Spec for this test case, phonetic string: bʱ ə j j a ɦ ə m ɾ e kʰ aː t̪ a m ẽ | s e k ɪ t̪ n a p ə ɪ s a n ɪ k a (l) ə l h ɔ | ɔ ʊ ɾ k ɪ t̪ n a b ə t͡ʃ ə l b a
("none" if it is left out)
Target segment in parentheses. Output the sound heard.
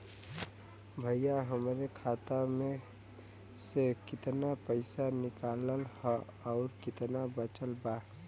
l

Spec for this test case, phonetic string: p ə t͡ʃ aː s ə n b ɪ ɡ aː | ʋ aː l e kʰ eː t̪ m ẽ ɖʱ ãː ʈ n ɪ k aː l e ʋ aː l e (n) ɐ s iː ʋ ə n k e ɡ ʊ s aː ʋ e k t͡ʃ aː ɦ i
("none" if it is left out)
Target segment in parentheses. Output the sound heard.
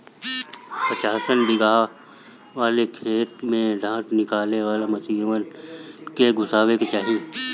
m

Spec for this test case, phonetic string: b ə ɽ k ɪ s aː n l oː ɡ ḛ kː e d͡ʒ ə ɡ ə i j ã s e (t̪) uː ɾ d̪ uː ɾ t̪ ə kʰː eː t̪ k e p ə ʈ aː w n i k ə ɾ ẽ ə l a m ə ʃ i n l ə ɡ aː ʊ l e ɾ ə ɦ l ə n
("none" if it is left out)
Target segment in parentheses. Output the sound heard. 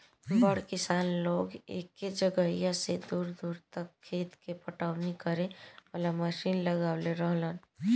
d̪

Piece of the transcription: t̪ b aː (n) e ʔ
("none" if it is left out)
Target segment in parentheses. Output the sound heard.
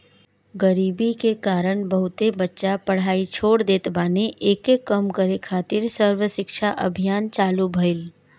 n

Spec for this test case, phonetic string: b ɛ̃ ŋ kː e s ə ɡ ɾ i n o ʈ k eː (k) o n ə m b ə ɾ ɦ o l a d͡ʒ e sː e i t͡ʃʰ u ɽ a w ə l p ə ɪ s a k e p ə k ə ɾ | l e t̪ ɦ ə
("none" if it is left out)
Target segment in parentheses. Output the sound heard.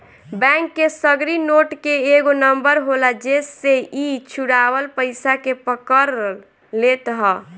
ɡ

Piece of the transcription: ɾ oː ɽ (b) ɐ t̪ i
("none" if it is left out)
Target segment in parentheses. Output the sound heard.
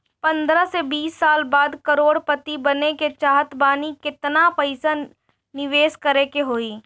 p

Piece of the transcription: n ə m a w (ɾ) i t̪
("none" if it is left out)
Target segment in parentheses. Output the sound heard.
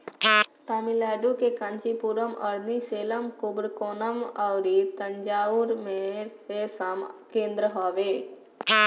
ɾ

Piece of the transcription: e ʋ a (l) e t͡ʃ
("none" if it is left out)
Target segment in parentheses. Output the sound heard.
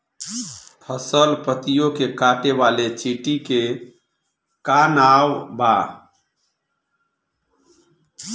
l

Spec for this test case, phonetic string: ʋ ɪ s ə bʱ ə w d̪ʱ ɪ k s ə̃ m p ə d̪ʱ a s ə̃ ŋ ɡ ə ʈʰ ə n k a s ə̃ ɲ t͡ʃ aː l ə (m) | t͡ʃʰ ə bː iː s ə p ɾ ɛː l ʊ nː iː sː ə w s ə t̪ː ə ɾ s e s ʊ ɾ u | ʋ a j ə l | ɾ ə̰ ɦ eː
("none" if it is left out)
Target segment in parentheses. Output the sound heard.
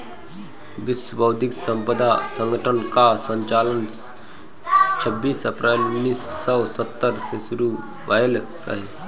n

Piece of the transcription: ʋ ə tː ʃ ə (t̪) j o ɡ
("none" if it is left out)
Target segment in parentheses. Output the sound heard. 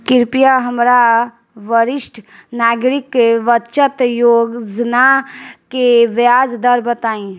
t̪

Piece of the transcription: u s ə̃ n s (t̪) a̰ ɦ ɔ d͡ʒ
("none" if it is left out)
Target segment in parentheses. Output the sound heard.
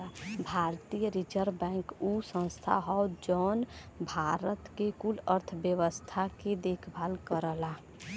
t̪ʰ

